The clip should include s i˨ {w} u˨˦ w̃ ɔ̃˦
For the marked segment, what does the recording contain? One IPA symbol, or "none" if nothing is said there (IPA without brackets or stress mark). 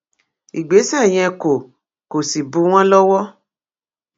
b